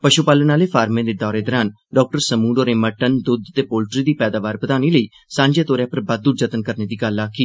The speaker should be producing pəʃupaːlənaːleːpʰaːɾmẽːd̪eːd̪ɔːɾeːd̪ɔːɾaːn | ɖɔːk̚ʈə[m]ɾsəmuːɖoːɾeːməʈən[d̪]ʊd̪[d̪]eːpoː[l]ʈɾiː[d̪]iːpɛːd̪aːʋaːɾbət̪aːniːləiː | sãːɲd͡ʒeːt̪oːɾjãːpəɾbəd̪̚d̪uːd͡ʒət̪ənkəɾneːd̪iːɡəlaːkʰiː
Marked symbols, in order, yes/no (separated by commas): no, yes, no, yes, yes